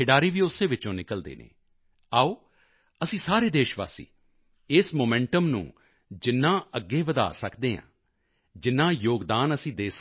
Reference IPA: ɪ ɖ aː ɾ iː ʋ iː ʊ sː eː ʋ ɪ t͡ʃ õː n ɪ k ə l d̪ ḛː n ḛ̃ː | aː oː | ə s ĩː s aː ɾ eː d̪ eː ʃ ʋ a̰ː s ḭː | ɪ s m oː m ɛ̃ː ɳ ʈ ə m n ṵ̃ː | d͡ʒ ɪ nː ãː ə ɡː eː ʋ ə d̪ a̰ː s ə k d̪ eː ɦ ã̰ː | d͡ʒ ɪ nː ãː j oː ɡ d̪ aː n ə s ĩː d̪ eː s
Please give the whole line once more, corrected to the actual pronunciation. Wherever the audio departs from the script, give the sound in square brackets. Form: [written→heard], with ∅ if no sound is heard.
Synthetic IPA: ɪ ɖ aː ɾ iː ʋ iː ʊ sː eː ʋ ɪ t͡ʃ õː n ɪ k ə l d̪ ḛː n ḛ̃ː | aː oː | ə s ĩː s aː ɾ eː d̪ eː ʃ ʋ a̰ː s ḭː | ɪ s m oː m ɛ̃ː ɳ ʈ ə m n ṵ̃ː | d͡ʒ ɪ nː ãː ə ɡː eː ʋ ə d̪ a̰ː s ə k d̪ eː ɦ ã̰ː | d͡ʒ ɪ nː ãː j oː ɡ d̪ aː n ə s ĩː d̪ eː s